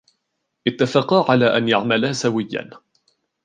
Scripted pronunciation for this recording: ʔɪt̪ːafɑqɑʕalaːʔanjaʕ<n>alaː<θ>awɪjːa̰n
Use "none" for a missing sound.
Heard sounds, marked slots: m, s

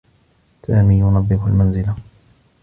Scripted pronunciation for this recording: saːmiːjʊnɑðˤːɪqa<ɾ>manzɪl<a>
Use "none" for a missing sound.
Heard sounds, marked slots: l, a

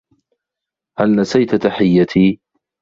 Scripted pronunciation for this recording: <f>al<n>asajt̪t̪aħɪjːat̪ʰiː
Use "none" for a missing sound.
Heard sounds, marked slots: h, n

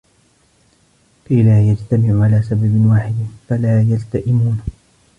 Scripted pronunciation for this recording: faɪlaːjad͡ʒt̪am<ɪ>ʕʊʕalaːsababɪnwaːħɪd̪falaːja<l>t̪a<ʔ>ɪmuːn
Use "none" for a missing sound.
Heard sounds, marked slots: ɪ, l, ʔ

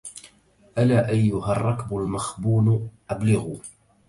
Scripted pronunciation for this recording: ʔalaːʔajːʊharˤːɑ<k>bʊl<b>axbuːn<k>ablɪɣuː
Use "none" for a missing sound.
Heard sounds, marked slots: k, m, ʔ

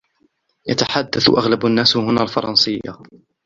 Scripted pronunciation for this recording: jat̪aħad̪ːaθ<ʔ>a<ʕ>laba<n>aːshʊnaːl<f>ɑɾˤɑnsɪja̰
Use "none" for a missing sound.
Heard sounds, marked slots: ʔ, ɣ, nː, f

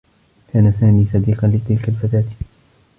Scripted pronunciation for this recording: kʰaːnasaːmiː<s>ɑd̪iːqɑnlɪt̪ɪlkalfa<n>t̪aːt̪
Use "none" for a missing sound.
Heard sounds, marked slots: s, none

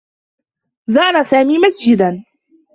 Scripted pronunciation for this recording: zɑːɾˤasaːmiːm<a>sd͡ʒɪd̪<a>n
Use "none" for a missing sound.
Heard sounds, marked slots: a, a

